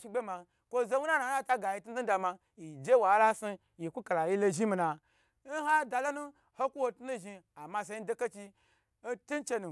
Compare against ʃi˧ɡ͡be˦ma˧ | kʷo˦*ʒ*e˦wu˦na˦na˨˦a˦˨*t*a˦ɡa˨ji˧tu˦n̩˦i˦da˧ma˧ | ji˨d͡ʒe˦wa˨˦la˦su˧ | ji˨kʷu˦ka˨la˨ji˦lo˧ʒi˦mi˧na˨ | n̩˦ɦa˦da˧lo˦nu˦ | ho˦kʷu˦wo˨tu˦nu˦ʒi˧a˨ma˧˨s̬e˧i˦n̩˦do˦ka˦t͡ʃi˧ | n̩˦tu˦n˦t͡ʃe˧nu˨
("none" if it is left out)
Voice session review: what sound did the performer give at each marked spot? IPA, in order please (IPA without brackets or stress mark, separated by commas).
z, t